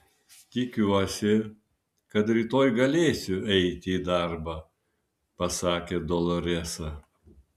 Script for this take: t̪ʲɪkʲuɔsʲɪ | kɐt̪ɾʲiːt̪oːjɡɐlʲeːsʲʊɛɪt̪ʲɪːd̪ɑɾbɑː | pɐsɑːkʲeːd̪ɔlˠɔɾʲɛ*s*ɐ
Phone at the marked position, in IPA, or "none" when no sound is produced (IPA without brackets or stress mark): s